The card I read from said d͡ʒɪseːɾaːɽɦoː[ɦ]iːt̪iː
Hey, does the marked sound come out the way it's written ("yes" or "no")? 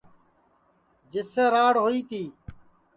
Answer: no